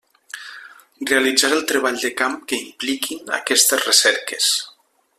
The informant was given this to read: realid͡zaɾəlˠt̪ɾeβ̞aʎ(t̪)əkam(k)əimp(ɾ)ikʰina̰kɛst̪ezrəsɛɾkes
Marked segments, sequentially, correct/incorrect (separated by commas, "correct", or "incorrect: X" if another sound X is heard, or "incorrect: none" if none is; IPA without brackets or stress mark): incorrect: d̪, correct, incorrect: l